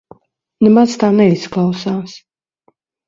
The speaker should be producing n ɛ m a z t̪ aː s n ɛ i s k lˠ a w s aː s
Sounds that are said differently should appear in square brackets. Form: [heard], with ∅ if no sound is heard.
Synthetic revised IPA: n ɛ m a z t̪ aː [∅] n ɛ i s k lˠ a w s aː s